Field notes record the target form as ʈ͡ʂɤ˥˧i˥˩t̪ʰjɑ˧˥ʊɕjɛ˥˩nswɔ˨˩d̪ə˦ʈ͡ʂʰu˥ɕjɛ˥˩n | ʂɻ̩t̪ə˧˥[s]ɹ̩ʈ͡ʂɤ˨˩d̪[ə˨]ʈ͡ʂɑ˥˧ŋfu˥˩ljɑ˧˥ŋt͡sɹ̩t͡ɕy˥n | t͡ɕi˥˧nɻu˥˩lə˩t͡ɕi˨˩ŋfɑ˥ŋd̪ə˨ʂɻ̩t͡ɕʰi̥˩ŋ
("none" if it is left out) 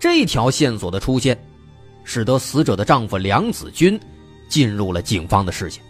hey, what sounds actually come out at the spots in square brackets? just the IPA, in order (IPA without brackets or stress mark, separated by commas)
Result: s, ə˦